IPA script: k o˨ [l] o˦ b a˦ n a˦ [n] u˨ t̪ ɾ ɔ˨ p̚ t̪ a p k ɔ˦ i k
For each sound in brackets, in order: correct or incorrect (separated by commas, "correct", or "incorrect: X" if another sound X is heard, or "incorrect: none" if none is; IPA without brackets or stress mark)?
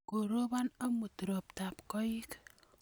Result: incorrect: ɾ, incorrect: m